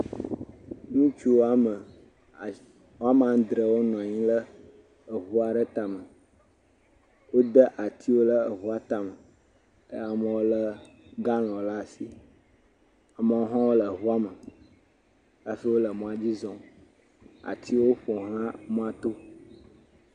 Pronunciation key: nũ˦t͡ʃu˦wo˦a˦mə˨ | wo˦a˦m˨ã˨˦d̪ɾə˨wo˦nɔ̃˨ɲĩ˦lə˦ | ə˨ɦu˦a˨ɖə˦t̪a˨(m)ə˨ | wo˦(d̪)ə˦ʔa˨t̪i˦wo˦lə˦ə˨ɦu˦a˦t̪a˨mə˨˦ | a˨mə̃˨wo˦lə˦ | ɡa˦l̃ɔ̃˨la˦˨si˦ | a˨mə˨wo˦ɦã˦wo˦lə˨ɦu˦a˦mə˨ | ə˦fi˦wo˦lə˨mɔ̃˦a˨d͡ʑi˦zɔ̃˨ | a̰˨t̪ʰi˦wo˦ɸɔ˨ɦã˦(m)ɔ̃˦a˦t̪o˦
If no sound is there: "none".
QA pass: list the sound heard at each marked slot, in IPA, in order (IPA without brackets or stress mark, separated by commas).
m, d̪, m